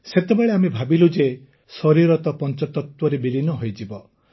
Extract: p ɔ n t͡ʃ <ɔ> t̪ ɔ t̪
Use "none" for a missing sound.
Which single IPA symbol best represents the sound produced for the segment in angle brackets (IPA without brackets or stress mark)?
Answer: ɔ